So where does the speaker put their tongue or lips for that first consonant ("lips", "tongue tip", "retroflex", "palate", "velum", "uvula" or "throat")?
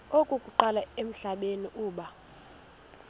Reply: velum